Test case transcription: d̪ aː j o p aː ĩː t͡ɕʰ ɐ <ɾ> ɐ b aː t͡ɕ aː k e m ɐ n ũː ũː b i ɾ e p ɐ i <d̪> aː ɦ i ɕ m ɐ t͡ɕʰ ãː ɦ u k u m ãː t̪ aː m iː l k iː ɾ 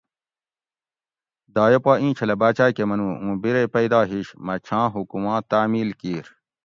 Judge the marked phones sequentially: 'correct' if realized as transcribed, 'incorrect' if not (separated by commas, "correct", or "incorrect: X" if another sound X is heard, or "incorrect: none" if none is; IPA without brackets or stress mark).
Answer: incorrect: l, correct